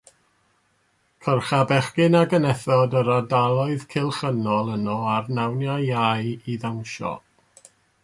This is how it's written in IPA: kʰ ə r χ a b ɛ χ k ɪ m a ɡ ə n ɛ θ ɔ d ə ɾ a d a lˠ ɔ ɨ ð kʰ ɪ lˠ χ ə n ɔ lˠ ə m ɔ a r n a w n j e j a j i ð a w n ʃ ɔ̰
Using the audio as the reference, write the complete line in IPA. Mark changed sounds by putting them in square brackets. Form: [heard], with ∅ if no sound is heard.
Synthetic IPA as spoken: kʰ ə r χ a b ɛ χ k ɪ [n] a ɡ ə n ɛ θ ɔ d ə ɾ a d a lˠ ɔ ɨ ð kʰ ɪ lˠ χ ə n ɔ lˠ ə [n] ɔ a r n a w n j [a] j a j i ð a w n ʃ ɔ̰